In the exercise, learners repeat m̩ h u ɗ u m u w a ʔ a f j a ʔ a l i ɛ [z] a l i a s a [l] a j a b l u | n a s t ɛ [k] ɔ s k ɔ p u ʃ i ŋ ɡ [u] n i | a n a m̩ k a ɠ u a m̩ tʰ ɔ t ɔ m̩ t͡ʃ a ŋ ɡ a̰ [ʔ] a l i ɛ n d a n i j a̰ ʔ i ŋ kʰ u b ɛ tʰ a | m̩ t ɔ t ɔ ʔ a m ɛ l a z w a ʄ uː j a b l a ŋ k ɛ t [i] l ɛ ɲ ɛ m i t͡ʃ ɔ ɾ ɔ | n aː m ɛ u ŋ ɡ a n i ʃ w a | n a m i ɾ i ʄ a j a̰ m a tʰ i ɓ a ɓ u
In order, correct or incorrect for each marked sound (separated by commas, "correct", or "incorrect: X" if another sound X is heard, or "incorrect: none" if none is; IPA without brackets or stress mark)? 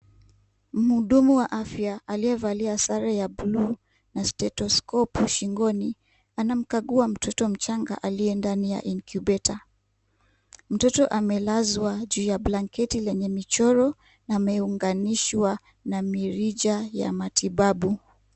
incorrect: v, incorrect: ɾ, incorrect: t, incorrect: ɔ, correct, correct